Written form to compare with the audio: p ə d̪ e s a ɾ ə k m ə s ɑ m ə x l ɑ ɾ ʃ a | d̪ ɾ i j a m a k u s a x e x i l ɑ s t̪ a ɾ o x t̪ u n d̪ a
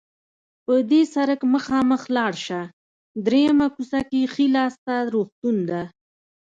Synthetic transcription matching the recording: p ə d̪ e s a ɾ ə k m ə x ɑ m ə x l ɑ ɽ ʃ a | d̪ ɾ e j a m a k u s a k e x i l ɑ s t̪ a ɾ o x t̪ u n d̪ a